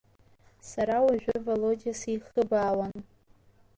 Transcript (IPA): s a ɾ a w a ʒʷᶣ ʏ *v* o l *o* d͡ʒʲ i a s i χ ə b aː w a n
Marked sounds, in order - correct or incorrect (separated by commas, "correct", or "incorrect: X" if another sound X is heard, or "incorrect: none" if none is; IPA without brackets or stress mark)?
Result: correct, correct